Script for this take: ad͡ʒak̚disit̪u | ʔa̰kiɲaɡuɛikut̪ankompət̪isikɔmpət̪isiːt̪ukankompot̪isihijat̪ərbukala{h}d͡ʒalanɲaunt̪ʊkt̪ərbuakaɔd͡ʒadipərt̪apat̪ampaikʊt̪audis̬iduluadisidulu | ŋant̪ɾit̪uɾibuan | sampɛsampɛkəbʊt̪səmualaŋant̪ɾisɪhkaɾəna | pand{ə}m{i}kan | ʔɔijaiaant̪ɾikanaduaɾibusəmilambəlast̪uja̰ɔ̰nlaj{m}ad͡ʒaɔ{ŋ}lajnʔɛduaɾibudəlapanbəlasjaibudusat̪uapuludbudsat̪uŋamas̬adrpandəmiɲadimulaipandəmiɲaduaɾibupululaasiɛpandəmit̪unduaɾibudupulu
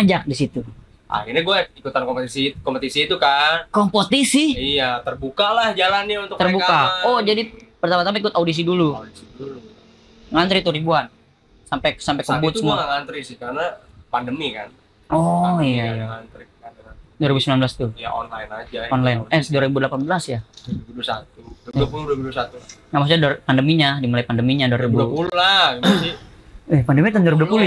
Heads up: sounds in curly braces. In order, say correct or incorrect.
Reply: correct, correct, correct, incorrect: n, incorrect: n

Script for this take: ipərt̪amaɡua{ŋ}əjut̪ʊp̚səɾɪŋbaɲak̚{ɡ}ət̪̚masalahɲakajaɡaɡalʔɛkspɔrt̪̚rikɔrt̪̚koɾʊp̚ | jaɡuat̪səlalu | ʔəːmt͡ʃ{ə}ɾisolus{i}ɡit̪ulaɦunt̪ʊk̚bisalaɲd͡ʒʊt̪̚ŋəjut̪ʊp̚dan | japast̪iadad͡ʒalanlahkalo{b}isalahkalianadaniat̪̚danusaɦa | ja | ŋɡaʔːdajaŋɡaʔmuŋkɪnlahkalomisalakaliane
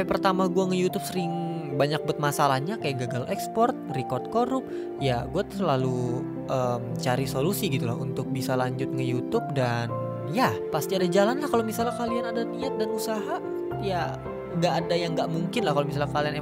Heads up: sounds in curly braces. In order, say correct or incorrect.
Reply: correct, incorrect: b, incorrect: a, correct, incorrect: m

